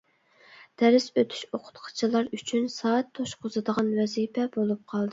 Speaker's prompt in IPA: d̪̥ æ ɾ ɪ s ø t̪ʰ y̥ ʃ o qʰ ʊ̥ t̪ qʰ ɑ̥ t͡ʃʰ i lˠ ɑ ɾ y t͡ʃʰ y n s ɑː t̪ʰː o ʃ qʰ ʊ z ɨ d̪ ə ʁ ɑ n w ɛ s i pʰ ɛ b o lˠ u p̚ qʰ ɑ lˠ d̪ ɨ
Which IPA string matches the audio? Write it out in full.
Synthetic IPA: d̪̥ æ ɾ ɪ s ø t̪ʰ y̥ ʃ o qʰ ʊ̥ t̪ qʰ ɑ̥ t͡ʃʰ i lˠ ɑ ɾ y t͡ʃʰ y n s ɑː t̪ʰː o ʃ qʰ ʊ z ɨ d̪ ə ʁ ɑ n w ɛ z i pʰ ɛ b o lˠ u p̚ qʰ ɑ lˠ d̪ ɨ